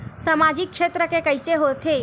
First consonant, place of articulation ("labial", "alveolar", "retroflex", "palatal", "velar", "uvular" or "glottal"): alveolar